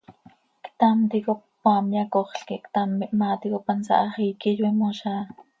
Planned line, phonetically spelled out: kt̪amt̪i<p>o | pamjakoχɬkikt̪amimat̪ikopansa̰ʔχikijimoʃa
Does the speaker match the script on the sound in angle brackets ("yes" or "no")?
no